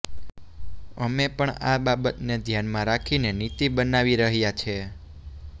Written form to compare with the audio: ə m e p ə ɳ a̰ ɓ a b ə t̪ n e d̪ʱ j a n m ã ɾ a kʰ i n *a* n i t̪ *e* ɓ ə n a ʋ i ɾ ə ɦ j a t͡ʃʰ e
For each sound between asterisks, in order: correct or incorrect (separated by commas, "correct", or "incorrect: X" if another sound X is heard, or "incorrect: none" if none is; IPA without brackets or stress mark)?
incorrect: e, incorrect: i